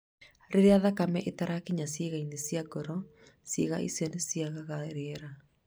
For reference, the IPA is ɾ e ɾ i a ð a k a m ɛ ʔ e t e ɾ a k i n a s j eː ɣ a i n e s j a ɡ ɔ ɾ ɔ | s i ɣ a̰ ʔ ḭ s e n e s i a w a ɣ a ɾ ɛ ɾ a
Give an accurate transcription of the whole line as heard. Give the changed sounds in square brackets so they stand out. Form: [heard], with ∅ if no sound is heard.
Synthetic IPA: ɾ e ɾ [e] a ð a k a m ɛ ʔ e t [a] ɾ a k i [ɲ] a s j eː ɣ a i n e s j a ɡ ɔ ɾ ɔ | s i ɣ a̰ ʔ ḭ s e n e s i a [ɣ] a ɣ a ɾ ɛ ɾ a